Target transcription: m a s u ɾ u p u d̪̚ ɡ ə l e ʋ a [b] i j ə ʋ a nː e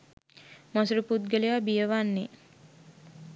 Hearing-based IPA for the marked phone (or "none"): b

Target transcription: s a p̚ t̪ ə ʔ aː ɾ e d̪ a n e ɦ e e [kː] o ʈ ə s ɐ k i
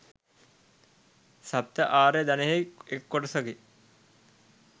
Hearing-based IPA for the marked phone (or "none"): kː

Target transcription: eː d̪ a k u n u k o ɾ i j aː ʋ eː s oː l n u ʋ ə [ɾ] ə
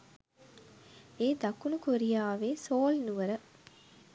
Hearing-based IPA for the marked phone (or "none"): ɾ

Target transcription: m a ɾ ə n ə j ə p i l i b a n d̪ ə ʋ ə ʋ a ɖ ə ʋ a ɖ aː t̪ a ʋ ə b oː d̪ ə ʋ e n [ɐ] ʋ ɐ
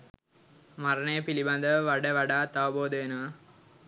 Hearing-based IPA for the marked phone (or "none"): ə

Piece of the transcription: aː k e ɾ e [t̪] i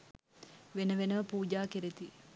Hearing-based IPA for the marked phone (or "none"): t̪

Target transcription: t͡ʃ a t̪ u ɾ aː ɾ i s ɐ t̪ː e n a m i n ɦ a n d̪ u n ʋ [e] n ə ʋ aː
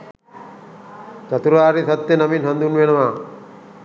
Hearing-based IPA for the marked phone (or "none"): e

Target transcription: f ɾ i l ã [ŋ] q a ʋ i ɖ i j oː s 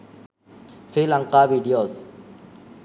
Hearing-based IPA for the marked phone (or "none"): ŋ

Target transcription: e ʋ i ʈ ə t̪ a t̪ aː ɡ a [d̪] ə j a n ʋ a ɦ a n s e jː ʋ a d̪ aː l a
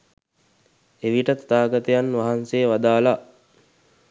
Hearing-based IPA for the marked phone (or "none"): t̪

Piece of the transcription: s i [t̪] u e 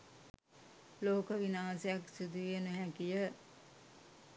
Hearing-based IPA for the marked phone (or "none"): d̪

